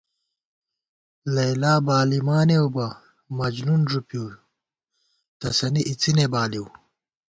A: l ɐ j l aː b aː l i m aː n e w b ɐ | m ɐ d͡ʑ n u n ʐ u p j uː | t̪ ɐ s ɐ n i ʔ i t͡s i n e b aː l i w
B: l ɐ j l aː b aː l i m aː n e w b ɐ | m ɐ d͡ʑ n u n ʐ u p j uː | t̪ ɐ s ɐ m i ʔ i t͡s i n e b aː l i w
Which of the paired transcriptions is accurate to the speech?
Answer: A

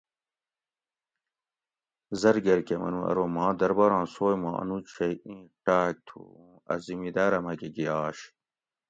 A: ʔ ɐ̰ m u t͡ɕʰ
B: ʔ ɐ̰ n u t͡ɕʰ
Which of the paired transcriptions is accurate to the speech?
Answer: B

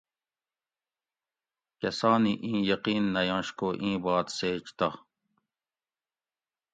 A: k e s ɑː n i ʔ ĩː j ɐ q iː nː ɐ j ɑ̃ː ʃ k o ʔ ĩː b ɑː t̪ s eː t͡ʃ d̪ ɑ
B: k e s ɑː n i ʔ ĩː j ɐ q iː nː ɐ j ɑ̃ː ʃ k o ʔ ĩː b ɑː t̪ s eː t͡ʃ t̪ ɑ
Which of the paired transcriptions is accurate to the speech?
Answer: B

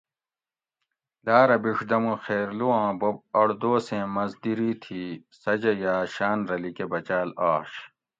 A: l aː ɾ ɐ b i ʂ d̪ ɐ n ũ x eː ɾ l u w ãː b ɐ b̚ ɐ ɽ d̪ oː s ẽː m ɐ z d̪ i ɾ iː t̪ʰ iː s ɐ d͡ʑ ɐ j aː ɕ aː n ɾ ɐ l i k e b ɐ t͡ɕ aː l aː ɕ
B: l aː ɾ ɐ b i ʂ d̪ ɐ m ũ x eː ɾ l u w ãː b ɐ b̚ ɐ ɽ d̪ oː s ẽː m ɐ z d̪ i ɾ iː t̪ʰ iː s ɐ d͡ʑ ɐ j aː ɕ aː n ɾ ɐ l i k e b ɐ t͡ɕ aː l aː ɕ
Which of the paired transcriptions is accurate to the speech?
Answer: B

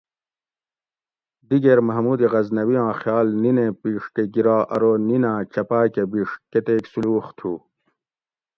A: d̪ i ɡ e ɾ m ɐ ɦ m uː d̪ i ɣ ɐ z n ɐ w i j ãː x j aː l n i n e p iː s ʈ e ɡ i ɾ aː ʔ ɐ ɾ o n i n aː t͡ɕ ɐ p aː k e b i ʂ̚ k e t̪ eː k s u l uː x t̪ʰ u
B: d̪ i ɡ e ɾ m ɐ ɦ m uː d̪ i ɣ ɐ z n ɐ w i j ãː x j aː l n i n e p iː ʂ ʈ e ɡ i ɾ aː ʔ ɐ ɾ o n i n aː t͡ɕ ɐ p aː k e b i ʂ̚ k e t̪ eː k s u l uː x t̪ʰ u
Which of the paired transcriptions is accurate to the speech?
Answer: B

